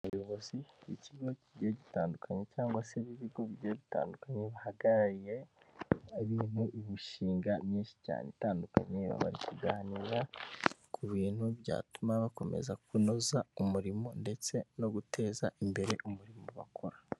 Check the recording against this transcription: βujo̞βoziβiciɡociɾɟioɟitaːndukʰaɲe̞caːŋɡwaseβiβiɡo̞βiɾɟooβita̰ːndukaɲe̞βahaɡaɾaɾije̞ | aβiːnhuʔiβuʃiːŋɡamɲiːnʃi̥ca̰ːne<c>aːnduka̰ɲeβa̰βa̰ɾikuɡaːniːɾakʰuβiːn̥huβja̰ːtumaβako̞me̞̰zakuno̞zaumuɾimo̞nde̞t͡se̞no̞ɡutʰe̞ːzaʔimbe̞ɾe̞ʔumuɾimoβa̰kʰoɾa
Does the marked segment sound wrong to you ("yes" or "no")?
yes